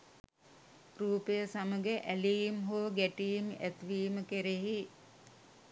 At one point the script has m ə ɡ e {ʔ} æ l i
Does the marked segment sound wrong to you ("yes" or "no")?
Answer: no